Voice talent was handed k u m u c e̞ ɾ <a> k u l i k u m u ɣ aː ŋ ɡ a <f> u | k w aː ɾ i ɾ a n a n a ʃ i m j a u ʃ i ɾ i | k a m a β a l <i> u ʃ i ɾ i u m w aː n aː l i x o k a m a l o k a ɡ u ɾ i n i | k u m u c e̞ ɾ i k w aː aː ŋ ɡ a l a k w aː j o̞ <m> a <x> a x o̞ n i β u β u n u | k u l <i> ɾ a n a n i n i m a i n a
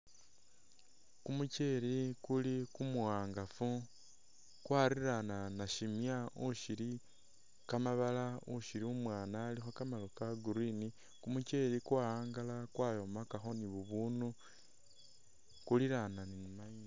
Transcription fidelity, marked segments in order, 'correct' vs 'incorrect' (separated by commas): incorrect, correct, incorrect, correct, incorrect, correct